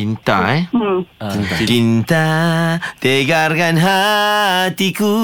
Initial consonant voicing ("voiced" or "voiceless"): voiced